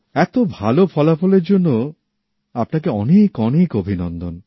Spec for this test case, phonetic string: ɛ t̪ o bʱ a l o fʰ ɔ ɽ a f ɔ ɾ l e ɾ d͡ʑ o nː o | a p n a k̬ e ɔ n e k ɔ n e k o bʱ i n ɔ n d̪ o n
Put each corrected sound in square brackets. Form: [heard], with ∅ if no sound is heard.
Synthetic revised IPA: ɛ t̪ o bʱ a l o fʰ ɔ [l] a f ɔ [∅] l e ɾ d͡ʑ o nː o | a p n a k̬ e ɔ n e k ɔ n e k o bʱ i n ɔ n d̪ o n